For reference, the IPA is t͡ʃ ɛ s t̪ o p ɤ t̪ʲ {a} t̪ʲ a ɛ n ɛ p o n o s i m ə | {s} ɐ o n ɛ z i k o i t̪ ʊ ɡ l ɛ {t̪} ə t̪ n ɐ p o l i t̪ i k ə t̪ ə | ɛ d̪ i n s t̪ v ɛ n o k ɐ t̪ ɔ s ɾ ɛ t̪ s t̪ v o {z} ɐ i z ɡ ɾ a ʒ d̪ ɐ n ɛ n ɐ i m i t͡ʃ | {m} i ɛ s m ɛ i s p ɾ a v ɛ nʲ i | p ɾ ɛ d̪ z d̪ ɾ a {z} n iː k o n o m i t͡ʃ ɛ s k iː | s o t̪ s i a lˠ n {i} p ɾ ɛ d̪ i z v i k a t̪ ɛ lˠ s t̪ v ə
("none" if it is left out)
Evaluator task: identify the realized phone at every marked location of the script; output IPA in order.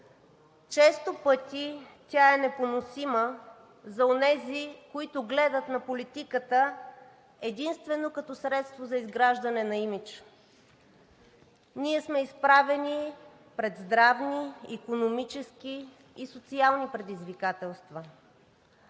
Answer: i, z, d̪, z, n, v, i

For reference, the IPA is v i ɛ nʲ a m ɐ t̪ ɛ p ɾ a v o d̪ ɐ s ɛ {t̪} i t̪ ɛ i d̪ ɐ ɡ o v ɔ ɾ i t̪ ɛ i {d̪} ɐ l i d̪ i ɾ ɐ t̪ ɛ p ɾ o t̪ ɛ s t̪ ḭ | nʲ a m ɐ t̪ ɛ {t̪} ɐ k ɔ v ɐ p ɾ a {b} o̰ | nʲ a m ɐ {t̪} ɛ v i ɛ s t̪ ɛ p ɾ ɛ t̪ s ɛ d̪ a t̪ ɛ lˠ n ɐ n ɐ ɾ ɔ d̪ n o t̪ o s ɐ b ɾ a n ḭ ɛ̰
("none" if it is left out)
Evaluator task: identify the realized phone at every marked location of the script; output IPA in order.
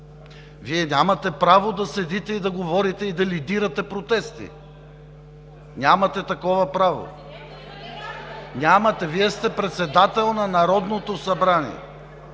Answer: d̪, d̪, t̪, v, t̪

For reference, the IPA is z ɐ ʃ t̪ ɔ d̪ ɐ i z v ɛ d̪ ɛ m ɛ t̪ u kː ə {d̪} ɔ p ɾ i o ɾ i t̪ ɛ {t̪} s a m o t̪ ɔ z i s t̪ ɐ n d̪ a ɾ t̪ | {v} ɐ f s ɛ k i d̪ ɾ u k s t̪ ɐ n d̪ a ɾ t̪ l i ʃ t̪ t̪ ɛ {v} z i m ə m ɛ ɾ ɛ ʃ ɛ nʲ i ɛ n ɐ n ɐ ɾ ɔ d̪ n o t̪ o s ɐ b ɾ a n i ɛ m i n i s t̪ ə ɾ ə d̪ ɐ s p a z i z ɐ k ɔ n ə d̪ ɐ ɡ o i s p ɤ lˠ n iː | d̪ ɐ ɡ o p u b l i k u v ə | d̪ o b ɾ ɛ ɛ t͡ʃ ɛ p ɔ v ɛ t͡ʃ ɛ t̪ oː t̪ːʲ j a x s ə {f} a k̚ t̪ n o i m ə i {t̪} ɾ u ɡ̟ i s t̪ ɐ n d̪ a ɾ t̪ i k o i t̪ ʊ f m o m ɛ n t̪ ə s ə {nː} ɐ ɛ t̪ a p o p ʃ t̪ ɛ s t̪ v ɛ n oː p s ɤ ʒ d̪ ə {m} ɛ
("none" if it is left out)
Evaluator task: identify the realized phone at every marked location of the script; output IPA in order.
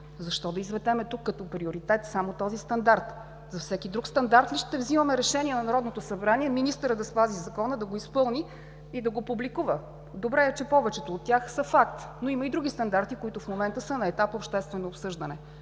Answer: t̪, t̪, z, v, f, d̪, n, n

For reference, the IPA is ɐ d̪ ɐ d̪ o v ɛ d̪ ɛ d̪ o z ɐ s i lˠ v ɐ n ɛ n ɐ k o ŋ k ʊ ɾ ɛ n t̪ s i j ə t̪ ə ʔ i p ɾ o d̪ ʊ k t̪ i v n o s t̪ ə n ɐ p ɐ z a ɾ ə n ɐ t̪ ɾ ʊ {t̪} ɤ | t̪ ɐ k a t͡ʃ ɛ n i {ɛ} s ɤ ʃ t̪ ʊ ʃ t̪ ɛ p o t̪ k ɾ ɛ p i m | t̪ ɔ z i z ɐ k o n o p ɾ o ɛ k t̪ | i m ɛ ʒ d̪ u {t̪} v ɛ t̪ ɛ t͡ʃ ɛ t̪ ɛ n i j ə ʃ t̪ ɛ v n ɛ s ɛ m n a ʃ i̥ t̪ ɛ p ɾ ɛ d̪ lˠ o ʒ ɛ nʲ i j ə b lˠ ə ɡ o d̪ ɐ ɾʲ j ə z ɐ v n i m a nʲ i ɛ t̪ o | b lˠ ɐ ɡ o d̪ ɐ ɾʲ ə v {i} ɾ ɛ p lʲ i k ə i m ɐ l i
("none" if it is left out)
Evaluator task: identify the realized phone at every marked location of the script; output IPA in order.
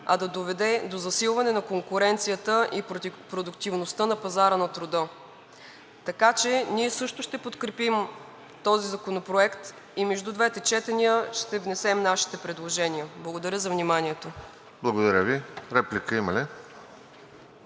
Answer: d̪, ɛ, d̪, i

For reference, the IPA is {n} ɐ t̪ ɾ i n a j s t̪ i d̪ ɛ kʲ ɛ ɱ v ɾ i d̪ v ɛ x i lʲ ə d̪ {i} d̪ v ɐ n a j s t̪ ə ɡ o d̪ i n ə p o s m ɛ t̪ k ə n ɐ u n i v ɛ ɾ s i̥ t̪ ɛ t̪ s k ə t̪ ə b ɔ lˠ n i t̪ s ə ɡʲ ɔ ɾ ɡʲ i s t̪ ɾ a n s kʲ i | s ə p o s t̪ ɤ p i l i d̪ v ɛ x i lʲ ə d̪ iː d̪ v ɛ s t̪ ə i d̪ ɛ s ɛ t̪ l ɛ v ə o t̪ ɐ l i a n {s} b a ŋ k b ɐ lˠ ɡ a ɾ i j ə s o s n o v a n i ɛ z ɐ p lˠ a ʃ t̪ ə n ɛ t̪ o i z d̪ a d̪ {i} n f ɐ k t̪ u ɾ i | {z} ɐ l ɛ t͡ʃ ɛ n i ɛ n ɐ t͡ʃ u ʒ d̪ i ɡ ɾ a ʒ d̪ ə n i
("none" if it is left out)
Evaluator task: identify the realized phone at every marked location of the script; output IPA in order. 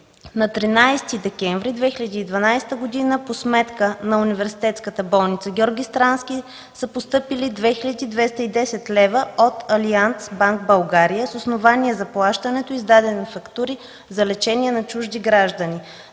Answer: n, iː, s, ɛ, z

